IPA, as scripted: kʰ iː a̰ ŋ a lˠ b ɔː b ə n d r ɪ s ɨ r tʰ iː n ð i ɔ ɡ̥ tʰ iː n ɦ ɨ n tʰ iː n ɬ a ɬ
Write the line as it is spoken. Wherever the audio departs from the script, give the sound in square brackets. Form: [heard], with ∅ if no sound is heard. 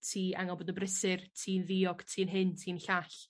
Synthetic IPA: [tʰ] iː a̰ ŋ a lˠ b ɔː [d] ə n [b] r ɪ s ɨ r tʰ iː n ð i ɔ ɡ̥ tʰ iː n ɦ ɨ n tʰ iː n ɬ a ɬ